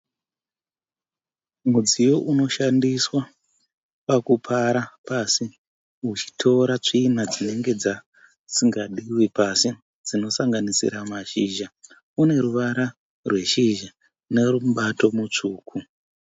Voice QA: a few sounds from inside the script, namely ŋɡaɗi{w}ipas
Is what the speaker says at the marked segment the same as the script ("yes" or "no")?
yes